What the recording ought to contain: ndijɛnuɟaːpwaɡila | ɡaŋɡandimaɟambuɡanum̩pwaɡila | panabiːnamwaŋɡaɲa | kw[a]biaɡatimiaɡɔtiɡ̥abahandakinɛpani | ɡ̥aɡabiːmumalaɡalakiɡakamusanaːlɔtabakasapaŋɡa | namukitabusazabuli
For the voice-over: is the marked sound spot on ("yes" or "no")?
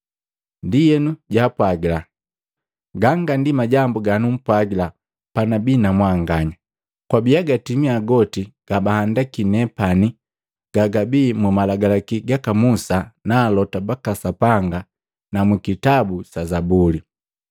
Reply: yes